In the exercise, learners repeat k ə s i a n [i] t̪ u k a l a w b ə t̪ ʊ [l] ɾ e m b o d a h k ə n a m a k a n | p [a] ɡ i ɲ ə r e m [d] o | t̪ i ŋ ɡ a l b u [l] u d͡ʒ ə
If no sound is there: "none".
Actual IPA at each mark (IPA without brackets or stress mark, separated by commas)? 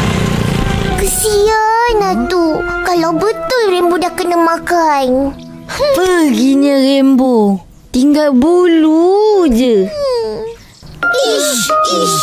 a, l, ə, b, l